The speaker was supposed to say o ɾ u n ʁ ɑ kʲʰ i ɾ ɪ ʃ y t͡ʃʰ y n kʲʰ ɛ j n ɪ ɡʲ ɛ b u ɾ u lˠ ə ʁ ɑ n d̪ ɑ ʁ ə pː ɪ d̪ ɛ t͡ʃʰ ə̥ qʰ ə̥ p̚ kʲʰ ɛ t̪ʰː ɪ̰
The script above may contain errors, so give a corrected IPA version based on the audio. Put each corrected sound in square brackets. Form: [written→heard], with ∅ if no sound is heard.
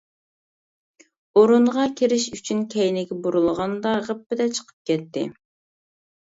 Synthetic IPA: o ɾ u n ʁ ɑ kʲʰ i ɾ ɪ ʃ y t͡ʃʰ y n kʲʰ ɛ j n ɪ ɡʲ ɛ b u ɾ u lˠ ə ʁ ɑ n d̪ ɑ ʁ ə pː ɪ d̪ ɛ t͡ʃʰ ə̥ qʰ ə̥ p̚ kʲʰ ɛ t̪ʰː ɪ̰